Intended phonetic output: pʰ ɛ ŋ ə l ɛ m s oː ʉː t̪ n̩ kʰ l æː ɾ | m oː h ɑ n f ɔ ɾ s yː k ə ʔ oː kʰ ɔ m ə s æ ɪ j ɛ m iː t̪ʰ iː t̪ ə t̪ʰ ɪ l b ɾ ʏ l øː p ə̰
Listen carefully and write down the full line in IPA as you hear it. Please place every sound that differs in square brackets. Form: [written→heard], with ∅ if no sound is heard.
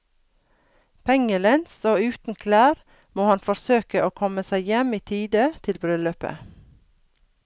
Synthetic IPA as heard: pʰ ɛ ŋ ə l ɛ [m→n] s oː ʉː t̪ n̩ kʰ l æː ɾ | m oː h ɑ n f ɔ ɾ s [yː→øː] k ə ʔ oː kʰ ɔ m ə s æ ɪ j ɛ m iː t̪ʰ iː [t̪→d̪] ə t̪ʰ ɪ l b ɾ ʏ l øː p ə̰

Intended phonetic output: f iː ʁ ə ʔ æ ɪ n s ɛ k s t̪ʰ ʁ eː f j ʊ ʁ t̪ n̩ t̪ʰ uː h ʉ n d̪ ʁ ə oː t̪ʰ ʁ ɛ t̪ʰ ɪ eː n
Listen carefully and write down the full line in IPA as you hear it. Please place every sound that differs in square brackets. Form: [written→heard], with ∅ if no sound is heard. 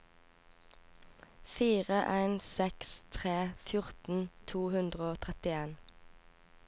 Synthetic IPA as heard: f iː ʁ ə ʔ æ ɪ n s ɛ k s t̪ʰ ʁ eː f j ʊ ʁ t̪ n̩ t̪ʰ uː h ʉ n d̪ ʁ ə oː t̪ʰ ʁ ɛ [t̪ʰ→t̪] ɪ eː n

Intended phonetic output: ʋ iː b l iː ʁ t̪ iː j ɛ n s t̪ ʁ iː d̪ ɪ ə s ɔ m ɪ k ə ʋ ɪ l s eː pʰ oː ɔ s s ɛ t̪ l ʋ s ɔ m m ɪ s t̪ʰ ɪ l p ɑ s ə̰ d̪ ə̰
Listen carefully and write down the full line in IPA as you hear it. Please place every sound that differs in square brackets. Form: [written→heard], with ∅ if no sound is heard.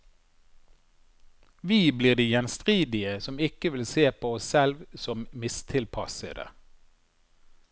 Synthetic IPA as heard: ʋ iː b l iː ʁ [t̪→d̪] iː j ɛ n s t̪ ʁ iː d̪ ɪ ə s ɔ m ɪ k ə ʋ ɪ l s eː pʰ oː ɔ s s ɛ [t̪→∅] l ʋ s ɔ m m ɪ s t̪ʰ ɪ l [p→pʰ] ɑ s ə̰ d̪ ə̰

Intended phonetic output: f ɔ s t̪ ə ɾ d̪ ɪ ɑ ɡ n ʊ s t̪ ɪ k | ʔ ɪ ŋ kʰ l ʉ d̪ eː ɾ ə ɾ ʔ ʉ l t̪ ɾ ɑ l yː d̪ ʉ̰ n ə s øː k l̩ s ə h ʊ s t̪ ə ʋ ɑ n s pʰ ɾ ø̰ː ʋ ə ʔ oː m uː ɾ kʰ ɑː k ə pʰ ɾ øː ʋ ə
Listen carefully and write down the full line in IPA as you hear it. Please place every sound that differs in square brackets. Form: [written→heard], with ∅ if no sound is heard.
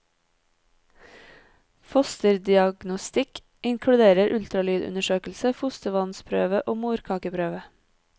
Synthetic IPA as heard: f ɔ s t̪ ə ɾ d̪ ɪ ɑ ɡ n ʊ s t̪ ɪ k | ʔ ɪ ŋ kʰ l ʉ d̪ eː ɾ ə ɾ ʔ ʉ l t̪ ɾ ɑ l yː d̪ ʉ̰ n ə [s→ʃ] øː k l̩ s ə [h→f] ʊ s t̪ ə ʋ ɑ n s pʰ ɾ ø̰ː ʋ ə ʔ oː m uː ɾ kʰ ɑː k ə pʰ ɾ øː ʋ ə

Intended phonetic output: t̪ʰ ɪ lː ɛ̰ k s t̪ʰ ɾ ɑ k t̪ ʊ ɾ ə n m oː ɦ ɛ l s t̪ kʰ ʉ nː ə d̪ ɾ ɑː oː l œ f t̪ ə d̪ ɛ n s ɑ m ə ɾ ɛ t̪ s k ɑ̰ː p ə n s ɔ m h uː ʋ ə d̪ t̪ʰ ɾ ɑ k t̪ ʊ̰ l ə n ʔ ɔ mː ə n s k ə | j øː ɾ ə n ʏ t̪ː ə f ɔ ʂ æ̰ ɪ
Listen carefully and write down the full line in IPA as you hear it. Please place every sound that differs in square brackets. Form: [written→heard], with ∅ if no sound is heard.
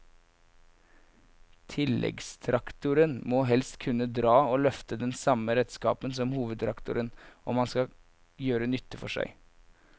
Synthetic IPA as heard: t̪ʰ ɪ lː ɛ̰ [k→ɡ] s t̪ʰ ɾ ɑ k t̪ ʊ ɾ ə n m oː ɦ ɛ l s t̪ kʰ ʉ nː ə d̪ ɾ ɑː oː l œ f t̪ ə d̪ ɛ n s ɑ m ə ɾ ɛ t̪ s k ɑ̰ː p ə n s ɔ m h uː ʋ ə d̪ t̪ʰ ɾ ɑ k t̪ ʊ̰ [l→ɾ] ə n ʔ ɔ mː [ə→ɑ] n s k [ə→ɑ] | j øː ɾ ə n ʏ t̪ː ə f ɔ ʂ æ̰ ɪ

